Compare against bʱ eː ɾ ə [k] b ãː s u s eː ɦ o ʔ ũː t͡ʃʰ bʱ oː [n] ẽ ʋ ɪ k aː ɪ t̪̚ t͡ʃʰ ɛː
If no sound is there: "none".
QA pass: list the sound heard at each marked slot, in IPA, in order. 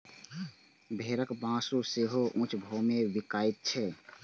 k, m

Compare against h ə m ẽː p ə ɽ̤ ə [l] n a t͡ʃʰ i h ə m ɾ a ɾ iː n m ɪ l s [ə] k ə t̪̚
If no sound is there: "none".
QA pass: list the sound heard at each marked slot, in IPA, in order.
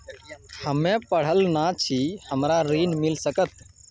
l, ə

